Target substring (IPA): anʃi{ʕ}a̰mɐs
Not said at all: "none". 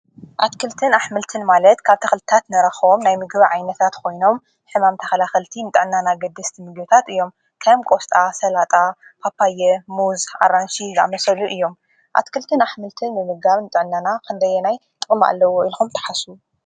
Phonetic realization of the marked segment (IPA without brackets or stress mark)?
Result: z